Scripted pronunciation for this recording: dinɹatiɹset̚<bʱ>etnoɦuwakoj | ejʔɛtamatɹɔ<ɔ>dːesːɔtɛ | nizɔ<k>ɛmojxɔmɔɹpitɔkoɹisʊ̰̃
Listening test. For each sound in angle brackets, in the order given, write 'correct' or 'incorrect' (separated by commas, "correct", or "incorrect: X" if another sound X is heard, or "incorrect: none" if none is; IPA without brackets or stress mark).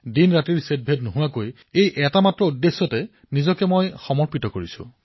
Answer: correct, incorrect: u, correct